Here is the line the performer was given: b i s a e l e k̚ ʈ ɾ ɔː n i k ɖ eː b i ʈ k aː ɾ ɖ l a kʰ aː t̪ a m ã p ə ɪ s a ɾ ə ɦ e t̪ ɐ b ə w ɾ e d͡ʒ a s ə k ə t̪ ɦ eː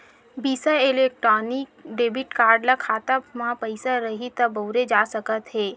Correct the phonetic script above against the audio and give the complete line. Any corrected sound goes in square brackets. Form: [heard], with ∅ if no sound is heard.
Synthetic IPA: b i s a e l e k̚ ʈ ɾ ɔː n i k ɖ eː b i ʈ k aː ɾ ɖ l a kʰ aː t̪ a m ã p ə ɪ s a ɾ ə ɦ [i] t̪ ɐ b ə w ɾ e d͡ʒ a s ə k ə t̪ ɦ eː